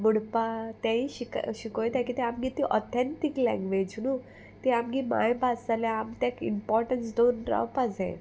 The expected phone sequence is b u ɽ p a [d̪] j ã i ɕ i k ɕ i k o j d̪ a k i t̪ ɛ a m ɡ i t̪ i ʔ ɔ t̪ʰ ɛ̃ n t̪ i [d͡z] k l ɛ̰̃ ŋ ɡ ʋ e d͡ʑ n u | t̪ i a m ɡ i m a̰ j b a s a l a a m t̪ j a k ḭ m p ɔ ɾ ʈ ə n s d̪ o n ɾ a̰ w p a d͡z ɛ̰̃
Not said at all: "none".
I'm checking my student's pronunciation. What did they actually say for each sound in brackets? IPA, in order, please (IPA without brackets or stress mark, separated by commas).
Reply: t̪, none